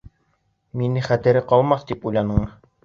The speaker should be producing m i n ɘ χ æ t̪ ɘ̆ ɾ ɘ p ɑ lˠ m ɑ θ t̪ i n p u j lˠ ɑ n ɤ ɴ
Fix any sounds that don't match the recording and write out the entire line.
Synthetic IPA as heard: m i n ɘ χ æ t̪ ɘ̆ ɾ ɘ q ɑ lˠ m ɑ θ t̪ i p u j lˠ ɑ n ɤ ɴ